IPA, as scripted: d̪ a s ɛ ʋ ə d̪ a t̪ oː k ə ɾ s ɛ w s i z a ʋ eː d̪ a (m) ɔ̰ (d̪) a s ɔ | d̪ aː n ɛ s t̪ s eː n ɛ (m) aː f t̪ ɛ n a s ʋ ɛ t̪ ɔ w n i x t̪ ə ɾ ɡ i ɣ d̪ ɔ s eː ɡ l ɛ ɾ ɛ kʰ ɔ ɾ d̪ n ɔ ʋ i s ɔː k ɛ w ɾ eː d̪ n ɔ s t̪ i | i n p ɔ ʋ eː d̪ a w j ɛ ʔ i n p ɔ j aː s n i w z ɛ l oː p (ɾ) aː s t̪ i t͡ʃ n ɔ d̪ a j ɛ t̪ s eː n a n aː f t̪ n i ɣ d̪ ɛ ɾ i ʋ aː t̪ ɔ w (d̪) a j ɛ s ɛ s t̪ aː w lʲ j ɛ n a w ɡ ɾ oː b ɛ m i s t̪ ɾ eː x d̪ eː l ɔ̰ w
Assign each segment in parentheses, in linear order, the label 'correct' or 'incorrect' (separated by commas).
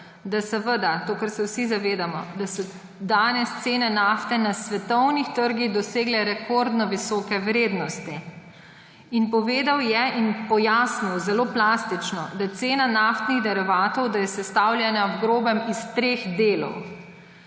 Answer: correct, correct, incorrect, incorrect, correct